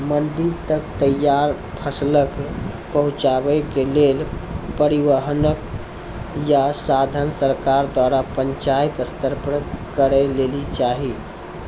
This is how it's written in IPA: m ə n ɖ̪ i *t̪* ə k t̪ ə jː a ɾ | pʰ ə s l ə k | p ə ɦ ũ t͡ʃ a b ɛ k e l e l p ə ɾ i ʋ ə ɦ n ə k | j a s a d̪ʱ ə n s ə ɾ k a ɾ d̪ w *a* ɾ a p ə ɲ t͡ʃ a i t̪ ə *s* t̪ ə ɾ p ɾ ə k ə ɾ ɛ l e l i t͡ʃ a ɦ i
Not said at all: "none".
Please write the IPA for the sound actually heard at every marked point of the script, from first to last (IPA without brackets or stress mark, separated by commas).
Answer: t̪, a, s